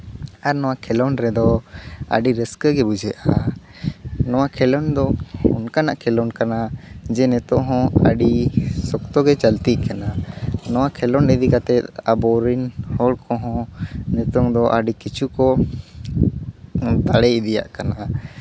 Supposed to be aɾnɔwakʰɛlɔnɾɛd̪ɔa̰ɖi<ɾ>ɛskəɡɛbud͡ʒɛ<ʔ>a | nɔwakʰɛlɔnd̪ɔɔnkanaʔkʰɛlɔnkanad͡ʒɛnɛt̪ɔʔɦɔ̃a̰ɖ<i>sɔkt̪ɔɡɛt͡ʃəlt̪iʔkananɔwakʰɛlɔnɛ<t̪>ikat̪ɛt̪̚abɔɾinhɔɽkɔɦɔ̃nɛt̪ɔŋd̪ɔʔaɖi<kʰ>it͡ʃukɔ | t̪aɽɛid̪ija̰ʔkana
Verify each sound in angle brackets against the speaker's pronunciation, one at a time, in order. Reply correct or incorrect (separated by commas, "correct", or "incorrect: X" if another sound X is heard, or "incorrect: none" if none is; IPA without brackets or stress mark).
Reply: correct, correct, correct, incorrect: d̪, incorrect: k